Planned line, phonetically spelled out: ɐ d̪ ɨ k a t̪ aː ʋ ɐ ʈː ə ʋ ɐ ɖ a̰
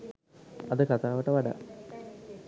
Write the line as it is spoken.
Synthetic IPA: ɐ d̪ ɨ k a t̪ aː ʋ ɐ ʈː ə ʋ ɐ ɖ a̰